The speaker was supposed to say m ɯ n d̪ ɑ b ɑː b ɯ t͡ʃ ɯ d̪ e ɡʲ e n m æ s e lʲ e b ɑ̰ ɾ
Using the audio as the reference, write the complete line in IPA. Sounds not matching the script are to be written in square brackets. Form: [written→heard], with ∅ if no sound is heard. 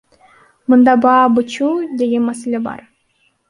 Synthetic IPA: m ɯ n d̪ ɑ b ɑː b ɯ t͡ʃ [ɯ→u] d̪ e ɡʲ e n m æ s e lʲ e b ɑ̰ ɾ